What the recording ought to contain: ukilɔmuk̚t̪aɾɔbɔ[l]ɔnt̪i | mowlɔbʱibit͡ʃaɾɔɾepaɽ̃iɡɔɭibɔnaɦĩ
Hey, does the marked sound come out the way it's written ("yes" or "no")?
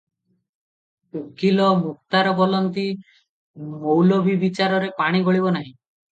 yes